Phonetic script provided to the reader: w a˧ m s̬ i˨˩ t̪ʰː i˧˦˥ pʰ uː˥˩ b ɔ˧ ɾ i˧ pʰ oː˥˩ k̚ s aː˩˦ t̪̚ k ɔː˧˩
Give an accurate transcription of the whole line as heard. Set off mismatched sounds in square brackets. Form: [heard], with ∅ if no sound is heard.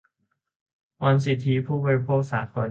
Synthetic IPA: w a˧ [n] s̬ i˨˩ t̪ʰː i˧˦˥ pʰ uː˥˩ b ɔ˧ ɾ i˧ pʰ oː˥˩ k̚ s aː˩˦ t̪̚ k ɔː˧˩